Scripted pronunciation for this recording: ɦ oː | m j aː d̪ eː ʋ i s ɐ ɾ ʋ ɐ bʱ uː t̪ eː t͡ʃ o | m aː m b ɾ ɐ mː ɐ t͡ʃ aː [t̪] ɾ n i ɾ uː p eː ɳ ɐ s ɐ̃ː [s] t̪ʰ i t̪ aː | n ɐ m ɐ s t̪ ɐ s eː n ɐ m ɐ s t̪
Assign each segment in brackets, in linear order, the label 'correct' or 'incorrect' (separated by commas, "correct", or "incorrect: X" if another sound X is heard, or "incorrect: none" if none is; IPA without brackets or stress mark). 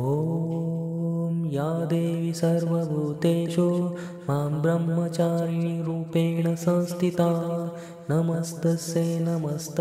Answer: incorrect: none, correct